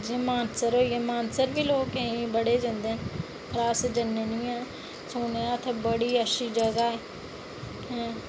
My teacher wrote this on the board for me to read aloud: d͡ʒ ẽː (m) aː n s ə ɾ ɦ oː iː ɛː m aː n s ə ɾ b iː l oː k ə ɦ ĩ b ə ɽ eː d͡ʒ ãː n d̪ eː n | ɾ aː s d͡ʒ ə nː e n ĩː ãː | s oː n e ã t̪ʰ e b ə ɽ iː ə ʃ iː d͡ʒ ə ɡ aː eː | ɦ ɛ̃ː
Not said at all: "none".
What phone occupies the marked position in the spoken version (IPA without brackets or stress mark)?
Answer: m